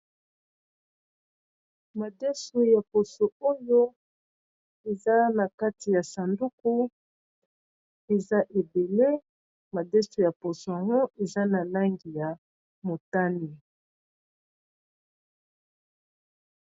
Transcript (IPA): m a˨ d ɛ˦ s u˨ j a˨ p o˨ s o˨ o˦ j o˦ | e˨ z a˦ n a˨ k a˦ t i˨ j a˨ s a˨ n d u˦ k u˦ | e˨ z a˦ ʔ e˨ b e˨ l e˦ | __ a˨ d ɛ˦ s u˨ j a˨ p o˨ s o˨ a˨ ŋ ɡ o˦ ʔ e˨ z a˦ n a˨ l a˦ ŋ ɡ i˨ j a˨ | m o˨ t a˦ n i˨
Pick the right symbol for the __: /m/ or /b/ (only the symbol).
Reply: m